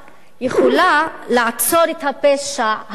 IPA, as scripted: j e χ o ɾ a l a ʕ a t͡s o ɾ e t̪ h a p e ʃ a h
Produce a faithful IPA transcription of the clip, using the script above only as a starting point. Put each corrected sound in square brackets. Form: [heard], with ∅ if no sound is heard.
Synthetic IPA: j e χ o [l] a l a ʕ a t͡s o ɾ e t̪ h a p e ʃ a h